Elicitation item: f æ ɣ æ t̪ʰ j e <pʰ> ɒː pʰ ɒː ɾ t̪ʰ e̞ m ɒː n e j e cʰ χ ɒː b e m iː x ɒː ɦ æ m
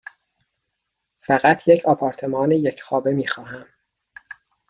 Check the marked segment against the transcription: incorrect: cʰ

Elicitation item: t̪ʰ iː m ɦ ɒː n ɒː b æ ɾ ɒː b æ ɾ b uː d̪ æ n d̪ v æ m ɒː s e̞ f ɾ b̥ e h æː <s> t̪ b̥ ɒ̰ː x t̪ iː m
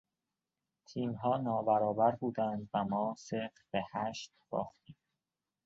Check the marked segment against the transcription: incorrect: ʃ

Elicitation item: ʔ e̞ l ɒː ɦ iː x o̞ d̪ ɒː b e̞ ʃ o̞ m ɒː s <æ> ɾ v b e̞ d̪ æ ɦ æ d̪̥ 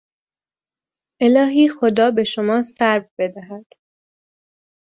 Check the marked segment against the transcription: correct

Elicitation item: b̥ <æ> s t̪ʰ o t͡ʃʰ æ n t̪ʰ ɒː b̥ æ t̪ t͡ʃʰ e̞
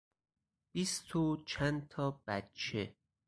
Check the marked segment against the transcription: incorrect: i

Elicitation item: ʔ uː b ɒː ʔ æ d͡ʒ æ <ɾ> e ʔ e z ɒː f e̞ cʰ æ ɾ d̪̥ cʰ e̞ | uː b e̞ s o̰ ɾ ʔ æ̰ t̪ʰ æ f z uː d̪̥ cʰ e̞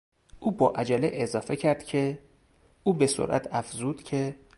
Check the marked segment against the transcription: incorrect: l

